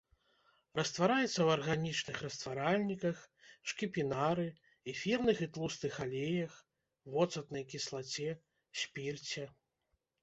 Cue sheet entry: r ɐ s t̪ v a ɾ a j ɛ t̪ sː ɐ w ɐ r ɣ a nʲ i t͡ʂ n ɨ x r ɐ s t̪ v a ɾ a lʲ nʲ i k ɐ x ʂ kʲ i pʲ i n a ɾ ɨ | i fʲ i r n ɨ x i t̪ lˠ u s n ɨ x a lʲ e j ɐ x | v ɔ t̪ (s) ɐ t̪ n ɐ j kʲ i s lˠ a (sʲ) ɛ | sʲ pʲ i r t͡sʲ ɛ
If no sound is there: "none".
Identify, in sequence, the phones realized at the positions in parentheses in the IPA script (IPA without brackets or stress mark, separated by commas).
s, t͡sʲ